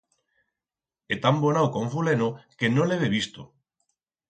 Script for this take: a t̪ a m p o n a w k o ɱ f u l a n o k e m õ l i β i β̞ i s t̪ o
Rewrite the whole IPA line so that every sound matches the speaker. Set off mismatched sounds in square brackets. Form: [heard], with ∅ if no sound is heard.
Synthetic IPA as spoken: [e] t̪ a m [b] o n a w k o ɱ f u l [e] n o k e [n] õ l [e] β [e] β̞ i s t̪ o